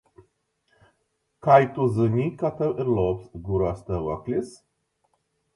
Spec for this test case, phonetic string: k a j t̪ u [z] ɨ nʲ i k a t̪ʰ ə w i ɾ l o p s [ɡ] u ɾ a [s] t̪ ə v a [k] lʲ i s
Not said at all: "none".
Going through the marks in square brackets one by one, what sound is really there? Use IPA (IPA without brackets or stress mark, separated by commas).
z, ɡ, s, k